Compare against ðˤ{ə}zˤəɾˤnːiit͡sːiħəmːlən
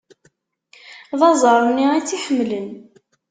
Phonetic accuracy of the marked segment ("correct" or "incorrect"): incorrect